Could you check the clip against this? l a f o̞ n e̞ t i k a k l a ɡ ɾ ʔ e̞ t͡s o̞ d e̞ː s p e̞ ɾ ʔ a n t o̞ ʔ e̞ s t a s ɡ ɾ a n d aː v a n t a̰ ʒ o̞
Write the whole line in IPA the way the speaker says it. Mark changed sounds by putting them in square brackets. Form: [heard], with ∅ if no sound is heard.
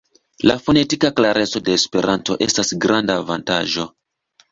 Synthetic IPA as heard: l a f o̞ n e̞ t i k a k l a [∅] ɾ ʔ e̞ t͡s o̞ d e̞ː s p e̞ ɾ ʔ a n t o̞ ʔ e̞ s t a s ɡ ɾ a n d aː v a n t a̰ ʒ o̞